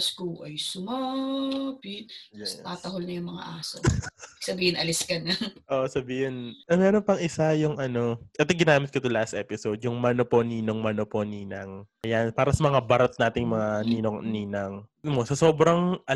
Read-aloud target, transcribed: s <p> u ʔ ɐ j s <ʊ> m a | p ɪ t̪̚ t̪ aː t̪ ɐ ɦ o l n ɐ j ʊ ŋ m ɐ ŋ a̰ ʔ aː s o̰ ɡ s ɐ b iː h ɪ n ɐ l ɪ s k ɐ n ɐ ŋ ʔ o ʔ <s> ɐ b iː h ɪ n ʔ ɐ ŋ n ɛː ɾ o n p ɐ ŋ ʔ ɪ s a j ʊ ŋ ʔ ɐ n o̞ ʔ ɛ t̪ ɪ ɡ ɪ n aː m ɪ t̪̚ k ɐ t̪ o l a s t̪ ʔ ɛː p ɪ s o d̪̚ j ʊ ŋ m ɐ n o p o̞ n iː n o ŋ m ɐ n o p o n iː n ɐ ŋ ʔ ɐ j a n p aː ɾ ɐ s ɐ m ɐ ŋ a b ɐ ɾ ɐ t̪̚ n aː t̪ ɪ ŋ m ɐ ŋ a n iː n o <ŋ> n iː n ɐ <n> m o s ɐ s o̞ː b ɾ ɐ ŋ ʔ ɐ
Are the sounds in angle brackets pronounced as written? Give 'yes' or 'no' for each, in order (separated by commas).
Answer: no, yes, yes, yes, no